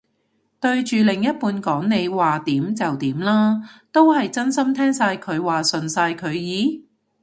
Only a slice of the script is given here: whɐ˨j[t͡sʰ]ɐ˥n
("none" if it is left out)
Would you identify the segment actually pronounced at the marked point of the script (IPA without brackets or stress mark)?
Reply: t͡s